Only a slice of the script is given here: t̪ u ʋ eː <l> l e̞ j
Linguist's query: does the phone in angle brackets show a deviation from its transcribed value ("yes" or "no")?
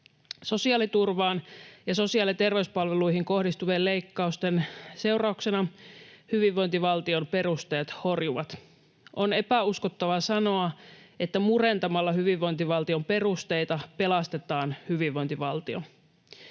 no